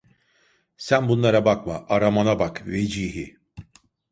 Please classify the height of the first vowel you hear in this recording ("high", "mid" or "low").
low